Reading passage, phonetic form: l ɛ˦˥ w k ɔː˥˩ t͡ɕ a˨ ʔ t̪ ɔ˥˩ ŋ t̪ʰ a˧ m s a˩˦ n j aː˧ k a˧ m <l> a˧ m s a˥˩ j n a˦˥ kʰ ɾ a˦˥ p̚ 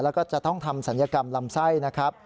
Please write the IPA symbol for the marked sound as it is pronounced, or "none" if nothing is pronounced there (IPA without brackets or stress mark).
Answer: l